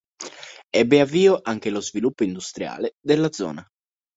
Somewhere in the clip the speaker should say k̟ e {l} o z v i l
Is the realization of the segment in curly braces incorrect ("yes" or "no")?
no